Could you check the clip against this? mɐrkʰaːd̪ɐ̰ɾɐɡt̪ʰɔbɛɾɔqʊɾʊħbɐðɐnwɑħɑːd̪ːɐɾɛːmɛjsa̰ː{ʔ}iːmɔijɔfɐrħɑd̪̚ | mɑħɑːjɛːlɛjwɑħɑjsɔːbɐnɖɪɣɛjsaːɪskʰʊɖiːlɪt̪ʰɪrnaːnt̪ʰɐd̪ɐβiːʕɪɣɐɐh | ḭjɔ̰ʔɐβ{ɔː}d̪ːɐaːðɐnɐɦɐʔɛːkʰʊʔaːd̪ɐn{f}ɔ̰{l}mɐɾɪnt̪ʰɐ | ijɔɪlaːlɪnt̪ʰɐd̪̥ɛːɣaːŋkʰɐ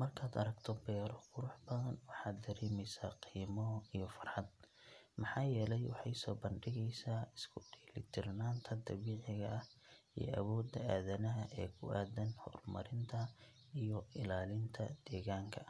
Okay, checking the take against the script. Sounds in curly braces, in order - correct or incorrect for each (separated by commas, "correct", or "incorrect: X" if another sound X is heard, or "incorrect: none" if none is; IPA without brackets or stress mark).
incorrect: q, correct, incorrect: h, incorrect: r